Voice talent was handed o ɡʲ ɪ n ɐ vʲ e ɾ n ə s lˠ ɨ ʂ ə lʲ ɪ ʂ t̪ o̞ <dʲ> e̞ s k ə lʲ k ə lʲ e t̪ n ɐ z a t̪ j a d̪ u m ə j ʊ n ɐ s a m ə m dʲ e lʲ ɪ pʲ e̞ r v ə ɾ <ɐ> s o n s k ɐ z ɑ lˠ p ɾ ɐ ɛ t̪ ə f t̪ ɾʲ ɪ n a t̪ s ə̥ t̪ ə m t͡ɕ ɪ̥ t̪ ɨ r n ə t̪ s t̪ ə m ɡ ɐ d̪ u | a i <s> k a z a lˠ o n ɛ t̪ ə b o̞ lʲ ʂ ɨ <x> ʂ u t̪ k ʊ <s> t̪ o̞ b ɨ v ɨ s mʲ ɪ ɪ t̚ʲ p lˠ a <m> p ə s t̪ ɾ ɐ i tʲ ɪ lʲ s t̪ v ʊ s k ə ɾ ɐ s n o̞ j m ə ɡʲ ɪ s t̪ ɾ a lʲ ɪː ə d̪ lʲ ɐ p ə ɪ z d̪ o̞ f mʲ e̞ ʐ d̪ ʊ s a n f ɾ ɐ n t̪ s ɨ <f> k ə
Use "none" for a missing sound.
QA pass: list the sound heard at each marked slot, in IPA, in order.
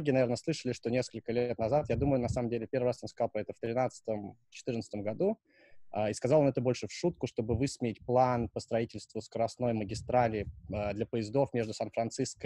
nʲ, a, s, f, ʂ, n, s

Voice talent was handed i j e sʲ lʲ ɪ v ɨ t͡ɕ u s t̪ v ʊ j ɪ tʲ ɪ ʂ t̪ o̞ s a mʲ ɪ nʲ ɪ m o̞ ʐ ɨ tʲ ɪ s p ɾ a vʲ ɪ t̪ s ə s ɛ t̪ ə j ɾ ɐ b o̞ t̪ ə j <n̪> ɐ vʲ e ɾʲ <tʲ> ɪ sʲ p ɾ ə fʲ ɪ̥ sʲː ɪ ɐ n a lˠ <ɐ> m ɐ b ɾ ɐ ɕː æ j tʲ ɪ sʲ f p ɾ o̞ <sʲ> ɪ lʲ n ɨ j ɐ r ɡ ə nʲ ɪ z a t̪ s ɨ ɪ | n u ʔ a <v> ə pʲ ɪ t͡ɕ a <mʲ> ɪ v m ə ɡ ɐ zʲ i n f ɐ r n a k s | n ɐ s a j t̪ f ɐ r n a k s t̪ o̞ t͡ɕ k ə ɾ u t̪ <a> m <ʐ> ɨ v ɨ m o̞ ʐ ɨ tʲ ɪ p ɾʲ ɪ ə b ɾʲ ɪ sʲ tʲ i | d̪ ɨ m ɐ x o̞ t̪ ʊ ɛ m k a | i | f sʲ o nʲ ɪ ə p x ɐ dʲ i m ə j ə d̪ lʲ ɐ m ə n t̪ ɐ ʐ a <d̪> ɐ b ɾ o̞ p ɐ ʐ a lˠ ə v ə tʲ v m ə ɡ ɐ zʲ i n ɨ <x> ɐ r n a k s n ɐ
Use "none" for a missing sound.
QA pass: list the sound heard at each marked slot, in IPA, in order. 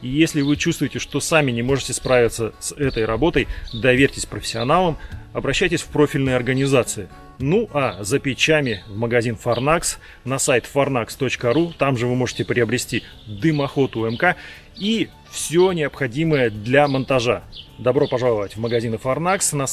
d̪, tʲ, ə, fʲ, z, mʲ, a, ʐ, d̪, f

